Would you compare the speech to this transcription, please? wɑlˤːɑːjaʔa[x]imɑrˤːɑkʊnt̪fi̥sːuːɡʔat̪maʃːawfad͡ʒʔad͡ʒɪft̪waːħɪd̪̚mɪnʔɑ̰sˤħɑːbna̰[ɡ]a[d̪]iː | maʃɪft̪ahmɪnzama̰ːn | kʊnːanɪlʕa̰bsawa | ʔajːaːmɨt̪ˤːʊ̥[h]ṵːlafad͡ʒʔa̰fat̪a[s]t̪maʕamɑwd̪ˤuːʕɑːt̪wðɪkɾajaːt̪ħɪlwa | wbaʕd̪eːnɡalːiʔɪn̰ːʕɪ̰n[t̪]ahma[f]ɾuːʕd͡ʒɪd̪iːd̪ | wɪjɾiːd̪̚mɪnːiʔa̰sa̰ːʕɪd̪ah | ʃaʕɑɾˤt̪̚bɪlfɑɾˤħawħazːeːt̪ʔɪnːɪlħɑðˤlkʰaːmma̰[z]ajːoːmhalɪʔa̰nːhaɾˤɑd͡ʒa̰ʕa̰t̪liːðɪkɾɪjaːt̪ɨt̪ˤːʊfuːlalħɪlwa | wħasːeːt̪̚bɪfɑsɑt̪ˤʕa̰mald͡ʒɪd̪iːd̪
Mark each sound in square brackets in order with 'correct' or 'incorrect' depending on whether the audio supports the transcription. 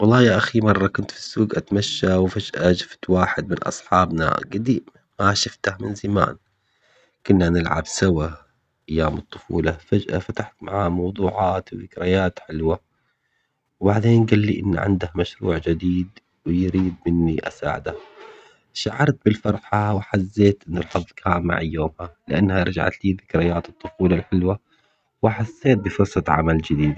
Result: correct, correct, correct, incorrect: f, incorrect: ħ, incorrect: d̪, incorrect: ʃ, incorrect: ʕ

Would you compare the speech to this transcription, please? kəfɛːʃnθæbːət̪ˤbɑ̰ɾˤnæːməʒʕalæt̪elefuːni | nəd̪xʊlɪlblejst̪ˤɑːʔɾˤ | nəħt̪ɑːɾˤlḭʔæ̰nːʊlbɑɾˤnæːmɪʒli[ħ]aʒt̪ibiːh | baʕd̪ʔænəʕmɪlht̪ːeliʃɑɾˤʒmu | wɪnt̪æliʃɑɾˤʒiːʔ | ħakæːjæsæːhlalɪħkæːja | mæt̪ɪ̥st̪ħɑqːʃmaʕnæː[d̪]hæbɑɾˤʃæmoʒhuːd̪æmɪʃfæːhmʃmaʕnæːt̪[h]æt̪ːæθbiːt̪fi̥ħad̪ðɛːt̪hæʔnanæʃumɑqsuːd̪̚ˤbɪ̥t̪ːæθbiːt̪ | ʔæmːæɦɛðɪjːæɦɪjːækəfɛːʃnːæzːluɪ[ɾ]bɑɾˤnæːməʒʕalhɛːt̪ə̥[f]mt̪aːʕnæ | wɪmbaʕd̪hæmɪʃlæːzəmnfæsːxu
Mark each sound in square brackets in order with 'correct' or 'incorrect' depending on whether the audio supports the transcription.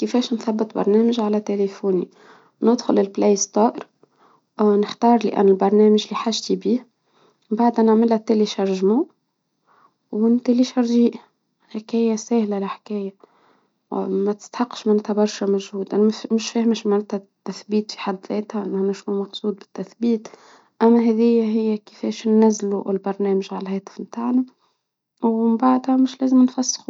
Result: correct, incorrect: t̪, correct, incorrect: l, correct

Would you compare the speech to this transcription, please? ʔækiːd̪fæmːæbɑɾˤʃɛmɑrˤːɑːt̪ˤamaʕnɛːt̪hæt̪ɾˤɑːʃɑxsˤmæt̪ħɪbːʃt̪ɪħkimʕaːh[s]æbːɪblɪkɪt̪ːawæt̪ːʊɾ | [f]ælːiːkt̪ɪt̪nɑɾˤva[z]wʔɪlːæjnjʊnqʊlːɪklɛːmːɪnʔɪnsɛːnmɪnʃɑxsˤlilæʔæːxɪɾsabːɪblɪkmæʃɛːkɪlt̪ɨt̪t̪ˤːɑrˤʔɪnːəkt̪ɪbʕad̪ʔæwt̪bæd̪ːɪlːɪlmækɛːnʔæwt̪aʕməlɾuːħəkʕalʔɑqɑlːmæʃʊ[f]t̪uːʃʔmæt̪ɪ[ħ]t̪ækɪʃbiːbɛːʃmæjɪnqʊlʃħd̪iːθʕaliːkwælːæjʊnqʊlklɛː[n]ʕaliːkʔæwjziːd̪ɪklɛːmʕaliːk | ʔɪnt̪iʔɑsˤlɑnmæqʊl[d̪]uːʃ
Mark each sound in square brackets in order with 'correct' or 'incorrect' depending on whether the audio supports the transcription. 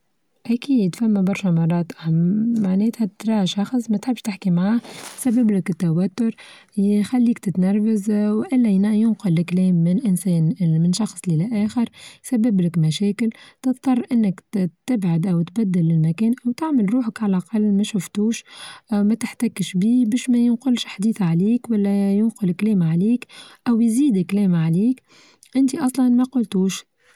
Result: correct, incorrect: x, correct, correct, correct, incorrect: m, incorrect: t̪

